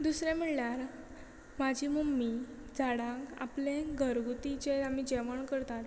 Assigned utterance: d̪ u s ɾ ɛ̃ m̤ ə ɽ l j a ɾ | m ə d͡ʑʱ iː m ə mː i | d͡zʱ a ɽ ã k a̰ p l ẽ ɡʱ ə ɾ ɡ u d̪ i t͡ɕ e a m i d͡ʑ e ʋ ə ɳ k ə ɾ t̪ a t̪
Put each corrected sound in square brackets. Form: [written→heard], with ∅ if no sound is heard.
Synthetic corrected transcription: d̪ u s ɾ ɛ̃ m̤ ə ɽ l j a ɾ | m [ə→a] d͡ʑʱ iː m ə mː i | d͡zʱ a ɽ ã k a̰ p l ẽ ɡʱ ə ɾ ɡ u [d̪→t̪] i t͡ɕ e a m i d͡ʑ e ʋ ə ɳ k ə ɾ t̪ a t̪